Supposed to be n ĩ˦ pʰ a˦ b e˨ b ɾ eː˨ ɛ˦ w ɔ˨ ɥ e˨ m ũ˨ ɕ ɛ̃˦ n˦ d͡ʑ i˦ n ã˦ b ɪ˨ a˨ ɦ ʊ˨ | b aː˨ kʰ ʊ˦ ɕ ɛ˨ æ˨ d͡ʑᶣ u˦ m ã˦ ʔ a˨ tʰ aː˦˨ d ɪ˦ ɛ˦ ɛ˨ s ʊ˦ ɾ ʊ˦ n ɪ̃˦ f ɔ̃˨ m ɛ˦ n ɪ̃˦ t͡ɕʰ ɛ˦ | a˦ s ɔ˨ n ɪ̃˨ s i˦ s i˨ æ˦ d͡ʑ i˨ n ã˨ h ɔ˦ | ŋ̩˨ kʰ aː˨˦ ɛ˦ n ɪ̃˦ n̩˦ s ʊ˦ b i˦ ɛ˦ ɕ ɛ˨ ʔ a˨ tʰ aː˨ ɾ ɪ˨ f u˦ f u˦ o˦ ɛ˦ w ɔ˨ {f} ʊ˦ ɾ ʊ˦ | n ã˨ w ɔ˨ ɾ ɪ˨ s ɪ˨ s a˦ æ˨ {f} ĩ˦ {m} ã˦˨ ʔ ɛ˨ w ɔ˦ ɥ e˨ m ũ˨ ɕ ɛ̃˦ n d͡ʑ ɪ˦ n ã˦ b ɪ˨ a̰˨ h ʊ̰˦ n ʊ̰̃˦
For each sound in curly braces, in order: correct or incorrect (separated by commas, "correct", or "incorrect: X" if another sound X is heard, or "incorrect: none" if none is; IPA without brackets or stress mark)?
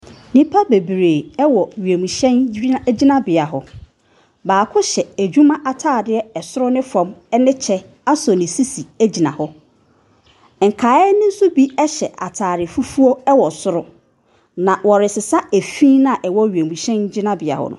incorrect: s, correct, incorrect: n